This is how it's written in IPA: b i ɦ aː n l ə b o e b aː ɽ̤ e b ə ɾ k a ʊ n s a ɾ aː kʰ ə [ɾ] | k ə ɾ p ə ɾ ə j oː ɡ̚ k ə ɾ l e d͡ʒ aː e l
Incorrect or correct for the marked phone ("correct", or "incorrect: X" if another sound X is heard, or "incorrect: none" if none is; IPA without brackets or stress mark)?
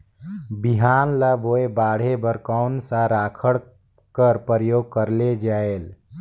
incorrect: ɽ